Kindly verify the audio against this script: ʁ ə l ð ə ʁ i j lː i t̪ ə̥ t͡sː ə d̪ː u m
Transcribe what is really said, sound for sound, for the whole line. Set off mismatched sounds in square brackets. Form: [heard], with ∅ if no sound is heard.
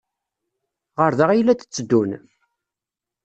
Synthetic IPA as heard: ʁ ə [ɾ] ð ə ʁ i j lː [æ] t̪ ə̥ t͡sː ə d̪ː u [n]